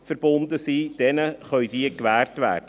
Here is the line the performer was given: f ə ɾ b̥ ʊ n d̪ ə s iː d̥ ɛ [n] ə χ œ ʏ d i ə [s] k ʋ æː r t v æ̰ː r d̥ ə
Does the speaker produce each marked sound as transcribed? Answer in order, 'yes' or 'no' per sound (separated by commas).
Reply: yes, no